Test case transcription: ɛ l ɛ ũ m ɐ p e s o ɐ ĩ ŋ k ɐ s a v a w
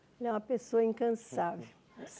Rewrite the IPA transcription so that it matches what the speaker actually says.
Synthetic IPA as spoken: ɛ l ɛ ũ m ɐ p e s o ɐ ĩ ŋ k ɐ̃ s a v e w